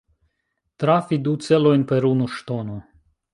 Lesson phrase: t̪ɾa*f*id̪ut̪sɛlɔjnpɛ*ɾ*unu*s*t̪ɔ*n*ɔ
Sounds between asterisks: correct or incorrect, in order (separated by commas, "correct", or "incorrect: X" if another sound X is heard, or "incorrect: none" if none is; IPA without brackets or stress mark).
correct, correct, incorrect: ʃ, correct